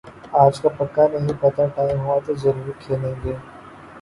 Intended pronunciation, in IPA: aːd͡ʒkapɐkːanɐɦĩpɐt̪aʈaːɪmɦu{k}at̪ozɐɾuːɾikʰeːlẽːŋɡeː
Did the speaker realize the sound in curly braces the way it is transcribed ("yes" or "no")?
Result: no